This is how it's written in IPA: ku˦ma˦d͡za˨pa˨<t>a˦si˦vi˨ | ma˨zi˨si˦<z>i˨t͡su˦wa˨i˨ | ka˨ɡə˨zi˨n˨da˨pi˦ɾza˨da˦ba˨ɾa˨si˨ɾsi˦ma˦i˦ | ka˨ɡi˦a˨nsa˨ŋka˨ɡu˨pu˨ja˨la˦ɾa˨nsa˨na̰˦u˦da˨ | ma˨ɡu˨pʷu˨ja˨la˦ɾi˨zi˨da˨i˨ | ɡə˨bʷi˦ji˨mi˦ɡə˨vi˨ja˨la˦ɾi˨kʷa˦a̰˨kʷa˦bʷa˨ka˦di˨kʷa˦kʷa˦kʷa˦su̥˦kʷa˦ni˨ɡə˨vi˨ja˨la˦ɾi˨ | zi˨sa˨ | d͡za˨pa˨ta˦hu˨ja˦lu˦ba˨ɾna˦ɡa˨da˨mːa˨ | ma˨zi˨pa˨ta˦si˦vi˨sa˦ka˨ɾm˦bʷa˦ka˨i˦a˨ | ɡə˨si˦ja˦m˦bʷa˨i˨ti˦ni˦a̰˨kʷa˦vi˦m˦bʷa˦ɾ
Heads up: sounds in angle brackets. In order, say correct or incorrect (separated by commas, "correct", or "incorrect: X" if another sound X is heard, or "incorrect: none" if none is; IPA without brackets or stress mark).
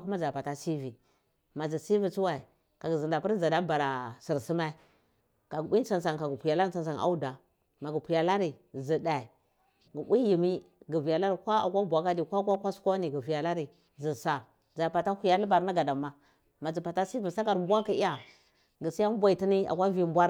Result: correct, incorrect: v